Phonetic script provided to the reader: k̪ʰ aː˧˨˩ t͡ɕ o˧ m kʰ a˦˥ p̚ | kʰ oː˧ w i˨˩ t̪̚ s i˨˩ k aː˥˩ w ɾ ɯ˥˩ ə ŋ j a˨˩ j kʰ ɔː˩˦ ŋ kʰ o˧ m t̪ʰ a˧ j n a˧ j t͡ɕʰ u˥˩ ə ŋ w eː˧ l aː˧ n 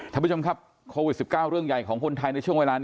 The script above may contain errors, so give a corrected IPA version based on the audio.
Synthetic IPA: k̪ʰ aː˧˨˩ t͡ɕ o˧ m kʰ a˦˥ p̚ | kʰ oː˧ w i˨˩ t̪̚ s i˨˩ k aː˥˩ w ɾ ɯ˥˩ ə ŋ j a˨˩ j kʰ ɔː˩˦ ŋ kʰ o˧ n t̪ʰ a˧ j n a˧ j t͡ɕʰ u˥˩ ə ŋ w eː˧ l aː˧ n